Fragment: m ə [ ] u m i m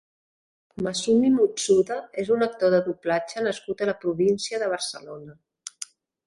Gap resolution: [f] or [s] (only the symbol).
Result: s